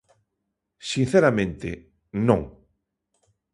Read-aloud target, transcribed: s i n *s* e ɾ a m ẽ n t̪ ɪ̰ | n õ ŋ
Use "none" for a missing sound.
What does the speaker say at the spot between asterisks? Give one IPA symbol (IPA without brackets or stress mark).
θ